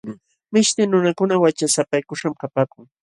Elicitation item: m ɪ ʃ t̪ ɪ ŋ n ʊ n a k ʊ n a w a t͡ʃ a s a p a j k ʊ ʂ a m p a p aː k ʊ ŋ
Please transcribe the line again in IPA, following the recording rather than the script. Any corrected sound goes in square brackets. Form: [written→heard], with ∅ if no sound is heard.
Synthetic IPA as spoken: m ɪ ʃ t̪ ɪ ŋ n ʊ n a k ʊ n a w a t͡ʃ a s a p a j k ʊ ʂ a m [p→k] a p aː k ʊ ŋ